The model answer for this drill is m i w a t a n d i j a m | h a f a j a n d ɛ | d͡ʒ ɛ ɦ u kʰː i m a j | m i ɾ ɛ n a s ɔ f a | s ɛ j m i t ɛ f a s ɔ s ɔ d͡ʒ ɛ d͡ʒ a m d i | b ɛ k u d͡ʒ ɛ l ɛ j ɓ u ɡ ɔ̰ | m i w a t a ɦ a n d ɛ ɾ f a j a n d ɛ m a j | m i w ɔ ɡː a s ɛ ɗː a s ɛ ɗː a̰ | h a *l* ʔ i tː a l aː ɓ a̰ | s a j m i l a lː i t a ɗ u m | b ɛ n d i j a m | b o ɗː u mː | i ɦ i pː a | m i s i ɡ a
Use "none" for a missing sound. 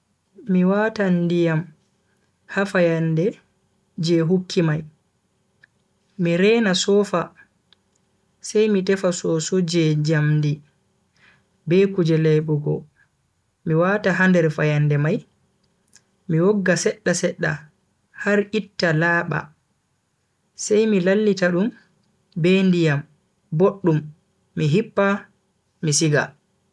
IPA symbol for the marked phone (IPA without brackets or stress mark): ɾ